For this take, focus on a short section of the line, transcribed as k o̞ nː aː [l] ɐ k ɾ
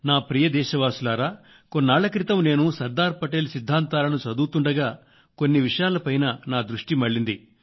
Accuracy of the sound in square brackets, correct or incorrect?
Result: incorrect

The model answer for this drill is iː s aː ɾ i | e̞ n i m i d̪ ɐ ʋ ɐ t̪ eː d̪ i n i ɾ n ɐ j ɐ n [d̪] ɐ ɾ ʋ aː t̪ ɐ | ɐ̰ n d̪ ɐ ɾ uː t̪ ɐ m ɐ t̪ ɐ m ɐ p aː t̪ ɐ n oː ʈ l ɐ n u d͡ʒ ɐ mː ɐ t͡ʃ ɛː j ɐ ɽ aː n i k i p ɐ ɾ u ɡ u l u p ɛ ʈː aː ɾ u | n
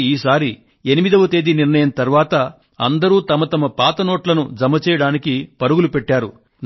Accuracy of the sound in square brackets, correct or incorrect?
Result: incorrect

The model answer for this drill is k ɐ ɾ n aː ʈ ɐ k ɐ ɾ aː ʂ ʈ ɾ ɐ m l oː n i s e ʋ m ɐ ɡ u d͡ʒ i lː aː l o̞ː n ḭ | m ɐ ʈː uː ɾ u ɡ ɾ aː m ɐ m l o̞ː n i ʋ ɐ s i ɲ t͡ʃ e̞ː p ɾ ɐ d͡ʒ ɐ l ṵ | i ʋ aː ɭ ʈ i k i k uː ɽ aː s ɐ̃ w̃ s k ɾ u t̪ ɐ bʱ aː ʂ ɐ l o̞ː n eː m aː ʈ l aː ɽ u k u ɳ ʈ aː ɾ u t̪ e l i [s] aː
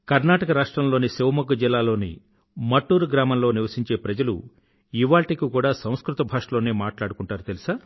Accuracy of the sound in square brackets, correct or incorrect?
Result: correct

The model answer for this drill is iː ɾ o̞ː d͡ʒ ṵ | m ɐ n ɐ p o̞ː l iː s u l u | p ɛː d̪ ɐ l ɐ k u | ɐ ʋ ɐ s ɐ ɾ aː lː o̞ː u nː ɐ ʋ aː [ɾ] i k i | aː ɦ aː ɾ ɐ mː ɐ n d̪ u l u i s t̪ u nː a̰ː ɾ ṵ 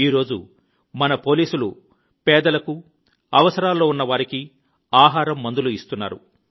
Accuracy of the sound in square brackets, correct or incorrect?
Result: correct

